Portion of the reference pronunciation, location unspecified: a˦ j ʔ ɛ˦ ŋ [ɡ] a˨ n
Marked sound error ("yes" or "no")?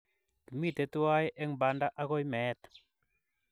yes